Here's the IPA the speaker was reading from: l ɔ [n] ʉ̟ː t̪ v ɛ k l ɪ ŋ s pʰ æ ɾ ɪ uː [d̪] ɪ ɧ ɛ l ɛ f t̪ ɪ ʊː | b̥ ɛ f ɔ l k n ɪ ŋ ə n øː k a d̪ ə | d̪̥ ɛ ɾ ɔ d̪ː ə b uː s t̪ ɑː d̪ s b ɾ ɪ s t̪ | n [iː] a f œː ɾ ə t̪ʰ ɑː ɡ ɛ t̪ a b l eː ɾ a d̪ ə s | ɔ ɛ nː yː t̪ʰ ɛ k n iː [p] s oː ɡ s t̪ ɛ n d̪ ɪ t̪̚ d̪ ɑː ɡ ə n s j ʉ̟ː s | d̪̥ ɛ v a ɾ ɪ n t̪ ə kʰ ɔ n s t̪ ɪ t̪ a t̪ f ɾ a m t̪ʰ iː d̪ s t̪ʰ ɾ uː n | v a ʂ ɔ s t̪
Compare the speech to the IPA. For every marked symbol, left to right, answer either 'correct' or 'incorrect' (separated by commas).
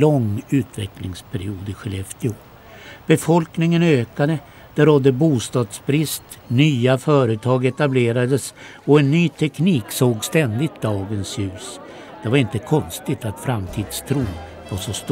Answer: incorrect, correct, incorrect, incorrect